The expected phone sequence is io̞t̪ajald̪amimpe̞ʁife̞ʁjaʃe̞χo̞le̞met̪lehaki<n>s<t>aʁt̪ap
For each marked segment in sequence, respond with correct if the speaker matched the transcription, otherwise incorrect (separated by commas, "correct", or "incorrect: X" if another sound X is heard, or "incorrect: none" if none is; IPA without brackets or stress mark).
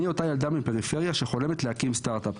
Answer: incorrect: m, correct